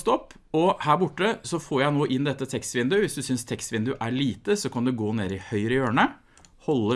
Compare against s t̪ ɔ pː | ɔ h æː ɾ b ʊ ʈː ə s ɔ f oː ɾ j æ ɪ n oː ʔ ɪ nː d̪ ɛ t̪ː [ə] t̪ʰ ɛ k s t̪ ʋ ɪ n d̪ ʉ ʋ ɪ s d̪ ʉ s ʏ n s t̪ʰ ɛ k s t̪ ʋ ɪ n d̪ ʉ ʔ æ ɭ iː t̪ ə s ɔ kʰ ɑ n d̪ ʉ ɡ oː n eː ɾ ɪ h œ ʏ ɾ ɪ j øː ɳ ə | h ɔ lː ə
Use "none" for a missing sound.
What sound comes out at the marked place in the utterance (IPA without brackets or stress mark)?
ə